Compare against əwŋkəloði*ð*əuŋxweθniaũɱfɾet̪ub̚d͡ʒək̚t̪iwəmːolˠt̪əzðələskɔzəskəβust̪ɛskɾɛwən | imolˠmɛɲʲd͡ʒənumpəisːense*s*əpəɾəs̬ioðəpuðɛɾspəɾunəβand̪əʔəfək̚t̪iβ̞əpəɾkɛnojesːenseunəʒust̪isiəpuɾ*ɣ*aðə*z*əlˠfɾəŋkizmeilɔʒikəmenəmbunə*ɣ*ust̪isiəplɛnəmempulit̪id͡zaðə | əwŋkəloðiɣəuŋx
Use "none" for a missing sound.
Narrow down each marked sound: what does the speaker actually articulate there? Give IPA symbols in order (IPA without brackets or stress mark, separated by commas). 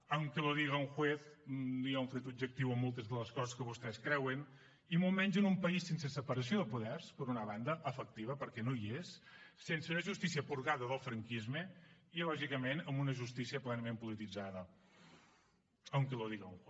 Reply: ɣ, s, ɣ, ð, ʒ